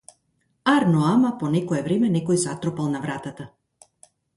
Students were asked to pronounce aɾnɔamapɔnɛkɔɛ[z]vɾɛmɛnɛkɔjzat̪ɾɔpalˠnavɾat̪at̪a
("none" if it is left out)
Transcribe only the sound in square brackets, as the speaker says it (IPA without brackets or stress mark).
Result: none